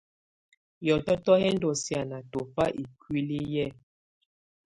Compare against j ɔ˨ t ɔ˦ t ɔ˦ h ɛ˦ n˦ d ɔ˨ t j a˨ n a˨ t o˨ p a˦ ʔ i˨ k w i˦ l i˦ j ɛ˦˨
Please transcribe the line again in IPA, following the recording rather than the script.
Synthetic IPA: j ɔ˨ t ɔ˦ t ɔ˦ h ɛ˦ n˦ d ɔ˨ s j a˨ n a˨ t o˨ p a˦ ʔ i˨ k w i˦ l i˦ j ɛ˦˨